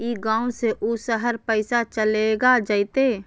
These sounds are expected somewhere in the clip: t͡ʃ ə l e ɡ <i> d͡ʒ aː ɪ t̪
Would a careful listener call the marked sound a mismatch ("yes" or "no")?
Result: yes